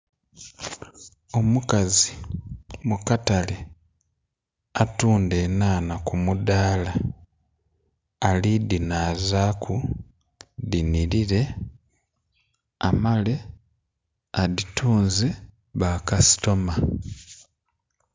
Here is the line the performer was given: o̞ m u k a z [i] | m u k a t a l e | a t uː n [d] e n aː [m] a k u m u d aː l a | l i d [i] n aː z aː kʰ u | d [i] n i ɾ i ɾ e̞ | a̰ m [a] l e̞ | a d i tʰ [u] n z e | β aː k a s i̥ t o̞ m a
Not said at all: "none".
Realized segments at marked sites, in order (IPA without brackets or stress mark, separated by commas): i, d, n, i, i, a, uː